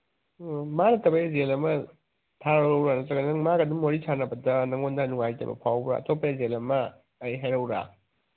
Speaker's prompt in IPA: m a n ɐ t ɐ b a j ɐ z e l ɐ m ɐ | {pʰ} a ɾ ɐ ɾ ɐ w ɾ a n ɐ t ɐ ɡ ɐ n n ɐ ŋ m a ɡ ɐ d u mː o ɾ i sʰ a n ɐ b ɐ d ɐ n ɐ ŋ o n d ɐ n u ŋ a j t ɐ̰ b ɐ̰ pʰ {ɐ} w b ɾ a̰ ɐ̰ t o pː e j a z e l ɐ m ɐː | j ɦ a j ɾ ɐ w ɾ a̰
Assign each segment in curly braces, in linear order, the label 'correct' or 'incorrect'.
incorrect, incorrect

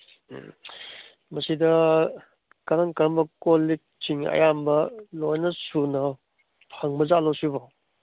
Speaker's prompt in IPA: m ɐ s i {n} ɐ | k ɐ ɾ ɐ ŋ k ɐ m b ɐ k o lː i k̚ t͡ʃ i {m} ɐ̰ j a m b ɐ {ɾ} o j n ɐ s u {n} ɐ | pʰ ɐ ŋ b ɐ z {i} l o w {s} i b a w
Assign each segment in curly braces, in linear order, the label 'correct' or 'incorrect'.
incorrect, incorrect, incorrect, correct, incorrect, correct

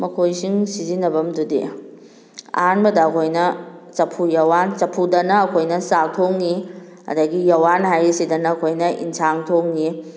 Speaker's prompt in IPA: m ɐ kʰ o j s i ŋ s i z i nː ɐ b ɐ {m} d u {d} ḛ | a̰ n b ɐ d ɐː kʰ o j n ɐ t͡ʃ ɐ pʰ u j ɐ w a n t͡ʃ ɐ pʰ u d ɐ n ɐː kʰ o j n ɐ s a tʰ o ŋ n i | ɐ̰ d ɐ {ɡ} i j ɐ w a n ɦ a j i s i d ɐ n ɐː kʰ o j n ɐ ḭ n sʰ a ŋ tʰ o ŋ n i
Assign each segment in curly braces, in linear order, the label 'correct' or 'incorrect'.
correct, correct, correct

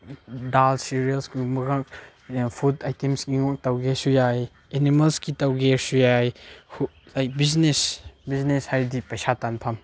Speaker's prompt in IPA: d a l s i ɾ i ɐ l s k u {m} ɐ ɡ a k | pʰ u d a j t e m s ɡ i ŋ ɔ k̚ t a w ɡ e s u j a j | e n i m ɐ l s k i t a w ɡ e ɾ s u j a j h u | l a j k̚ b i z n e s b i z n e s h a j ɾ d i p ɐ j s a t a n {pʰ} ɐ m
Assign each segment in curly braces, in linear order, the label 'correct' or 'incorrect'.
correct, correct

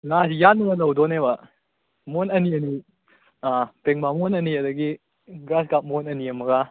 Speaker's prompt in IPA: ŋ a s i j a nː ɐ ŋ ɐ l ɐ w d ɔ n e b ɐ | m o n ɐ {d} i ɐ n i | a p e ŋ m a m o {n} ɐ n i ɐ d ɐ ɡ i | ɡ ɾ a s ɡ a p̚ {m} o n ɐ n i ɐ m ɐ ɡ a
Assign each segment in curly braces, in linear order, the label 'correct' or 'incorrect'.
incorrect, correct, correct

